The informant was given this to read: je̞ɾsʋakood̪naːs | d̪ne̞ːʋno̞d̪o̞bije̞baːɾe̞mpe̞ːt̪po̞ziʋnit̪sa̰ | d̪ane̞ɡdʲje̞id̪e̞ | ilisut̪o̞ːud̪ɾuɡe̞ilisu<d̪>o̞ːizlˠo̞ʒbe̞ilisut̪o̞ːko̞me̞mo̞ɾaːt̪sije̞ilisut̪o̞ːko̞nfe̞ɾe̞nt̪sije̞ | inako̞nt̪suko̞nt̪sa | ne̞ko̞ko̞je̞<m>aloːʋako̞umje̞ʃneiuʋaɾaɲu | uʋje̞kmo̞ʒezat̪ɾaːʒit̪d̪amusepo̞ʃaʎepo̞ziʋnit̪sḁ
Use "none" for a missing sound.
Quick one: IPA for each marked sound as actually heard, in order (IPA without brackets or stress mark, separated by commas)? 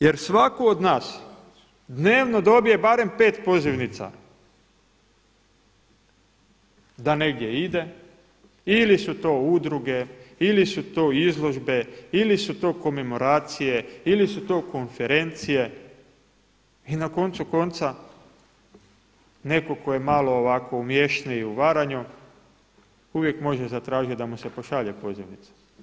t̪, m